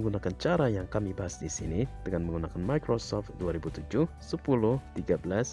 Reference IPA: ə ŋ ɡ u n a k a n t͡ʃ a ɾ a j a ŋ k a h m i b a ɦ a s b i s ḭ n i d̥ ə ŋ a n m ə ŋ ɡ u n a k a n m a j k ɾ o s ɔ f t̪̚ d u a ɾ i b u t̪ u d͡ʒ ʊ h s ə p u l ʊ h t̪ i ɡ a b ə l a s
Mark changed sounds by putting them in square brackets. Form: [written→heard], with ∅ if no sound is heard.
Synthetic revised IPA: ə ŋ ɡ u n a k a n t͡ʃ a ɾ a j a ŋ k a [h→∅] m i b a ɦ a s [b→d] i s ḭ n i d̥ ə ŋ a n m ə ŋ ɡ u n a k a n m a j k ɾ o s ɔ f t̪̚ d u a ɾ i b u t̪ u d͡ʒ ʊ h s ə p u l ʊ h t̪ i ɡ a b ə l a s